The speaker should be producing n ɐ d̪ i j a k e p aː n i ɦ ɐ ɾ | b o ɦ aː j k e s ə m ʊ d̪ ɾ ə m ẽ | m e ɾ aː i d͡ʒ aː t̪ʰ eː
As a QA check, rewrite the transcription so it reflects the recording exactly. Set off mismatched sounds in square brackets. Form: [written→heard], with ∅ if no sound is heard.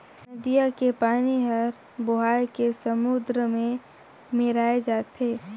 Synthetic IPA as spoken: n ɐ d̪ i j a k e p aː n i ɦ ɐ ɾ | b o ɦ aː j k e s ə m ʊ d̪ ɾ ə m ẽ | m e ɾ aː [i→e] d͡ʒ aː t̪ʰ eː